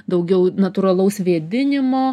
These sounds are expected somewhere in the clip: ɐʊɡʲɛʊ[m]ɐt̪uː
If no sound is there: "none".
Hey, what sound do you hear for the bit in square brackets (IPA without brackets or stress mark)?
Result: n